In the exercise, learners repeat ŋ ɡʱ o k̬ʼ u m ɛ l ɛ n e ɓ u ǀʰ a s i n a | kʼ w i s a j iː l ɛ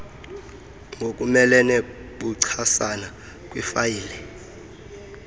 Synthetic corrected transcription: ŋ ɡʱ o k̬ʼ u m ɛ l ɛ n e ɓ u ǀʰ a s a n a | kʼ w i f a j iː l ɛ